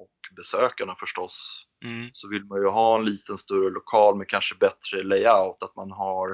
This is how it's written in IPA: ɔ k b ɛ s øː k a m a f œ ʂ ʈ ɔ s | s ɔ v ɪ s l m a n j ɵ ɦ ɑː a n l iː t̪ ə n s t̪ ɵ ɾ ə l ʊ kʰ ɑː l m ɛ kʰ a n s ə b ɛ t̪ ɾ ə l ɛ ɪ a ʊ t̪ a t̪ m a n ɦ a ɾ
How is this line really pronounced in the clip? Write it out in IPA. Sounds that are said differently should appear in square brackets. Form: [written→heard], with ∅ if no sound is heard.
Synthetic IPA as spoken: ɔ k b ɛ s øː k a [m→ɳ] a f œ ʂ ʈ ɔ s | s ɔ v ɪ [s→∅] l m a n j ɵ ɦ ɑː [a→ɛ] n l iː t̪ ə n s t̪ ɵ ɾ ə l ʊ kʰ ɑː l m ɛ kʰ a n [s→ʂ] ə b ɛ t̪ ɾ ə l ɛ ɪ a ʊ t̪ a t̪ m a n ɦ a ɾ